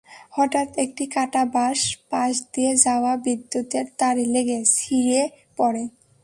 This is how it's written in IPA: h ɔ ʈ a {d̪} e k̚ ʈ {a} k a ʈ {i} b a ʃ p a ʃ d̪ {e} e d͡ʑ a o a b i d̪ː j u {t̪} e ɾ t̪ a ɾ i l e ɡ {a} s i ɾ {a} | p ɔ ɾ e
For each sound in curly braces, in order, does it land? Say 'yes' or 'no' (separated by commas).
no, no, no, no, yes, no, no